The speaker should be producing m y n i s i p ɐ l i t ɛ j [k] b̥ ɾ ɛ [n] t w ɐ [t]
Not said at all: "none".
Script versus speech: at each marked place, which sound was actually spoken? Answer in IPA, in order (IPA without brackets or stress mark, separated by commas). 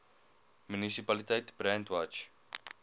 t, n, t͡ʃ